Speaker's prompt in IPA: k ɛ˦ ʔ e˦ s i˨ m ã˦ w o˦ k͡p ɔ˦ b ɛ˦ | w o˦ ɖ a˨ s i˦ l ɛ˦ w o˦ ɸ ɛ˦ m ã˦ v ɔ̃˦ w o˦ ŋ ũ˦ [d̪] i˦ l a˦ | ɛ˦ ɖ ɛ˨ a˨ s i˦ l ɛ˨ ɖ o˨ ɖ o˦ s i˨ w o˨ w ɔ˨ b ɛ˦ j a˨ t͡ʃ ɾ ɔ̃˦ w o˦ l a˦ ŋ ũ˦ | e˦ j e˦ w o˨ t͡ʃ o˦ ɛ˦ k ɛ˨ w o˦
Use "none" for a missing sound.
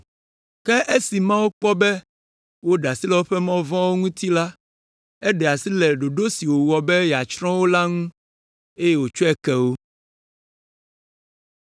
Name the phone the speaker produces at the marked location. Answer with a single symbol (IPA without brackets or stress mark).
t̪